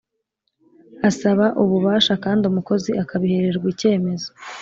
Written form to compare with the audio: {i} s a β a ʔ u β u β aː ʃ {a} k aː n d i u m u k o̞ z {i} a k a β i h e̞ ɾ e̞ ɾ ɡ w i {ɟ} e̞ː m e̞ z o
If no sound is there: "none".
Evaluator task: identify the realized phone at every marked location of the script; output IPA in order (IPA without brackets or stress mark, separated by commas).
a, a, i, c